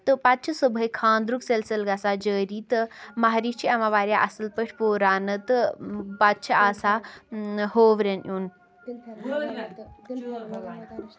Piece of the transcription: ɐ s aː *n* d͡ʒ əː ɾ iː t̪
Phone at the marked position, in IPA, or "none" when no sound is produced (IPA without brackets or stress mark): none